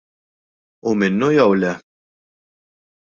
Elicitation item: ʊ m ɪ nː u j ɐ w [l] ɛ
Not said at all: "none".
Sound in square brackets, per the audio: l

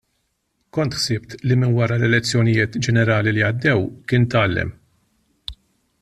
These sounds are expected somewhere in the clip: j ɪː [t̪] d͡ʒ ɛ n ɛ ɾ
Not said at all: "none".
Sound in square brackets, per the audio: t̪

